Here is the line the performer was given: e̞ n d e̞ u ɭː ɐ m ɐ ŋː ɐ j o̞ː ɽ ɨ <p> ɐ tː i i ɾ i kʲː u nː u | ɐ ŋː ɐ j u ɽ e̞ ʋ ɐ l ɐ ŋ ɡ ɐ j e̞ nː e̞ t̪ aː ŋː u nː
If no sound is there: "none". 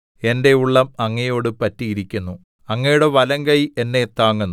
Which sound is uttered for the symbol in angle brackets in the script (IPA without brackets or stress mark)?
p